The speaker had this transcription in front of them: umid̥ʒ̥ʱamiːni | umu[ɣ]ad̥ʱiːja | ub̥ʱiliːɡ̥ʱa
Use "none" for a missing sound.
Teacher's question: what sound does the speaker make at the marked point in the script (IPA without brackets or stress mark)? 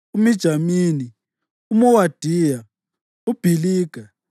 w